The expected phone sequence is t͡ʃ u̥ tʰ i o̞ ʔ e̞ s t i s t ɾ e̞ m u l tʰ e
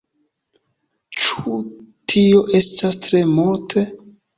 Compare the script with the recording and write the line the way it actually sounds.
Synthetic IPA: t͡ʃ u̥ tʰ i o̞ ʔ e̞ s t a s t ɾ e̞ m u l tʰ e